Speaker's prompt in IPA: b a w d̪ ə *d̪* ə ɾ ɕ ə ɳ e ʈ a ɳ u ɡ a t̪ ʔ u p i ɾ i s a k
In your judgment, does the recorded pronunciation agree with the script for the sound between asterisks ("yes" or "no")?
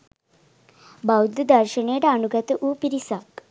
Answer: yes